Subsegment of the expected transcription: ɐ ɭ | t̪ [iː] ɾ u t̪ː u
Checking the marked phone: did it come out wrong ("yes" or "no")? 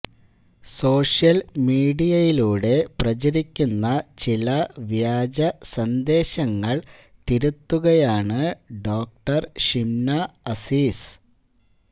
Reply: yes